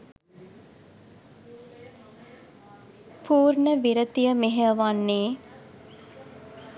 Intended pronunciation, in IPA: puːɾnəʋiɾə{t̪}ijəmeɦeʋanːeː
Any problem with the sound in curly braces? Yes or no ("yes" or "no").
no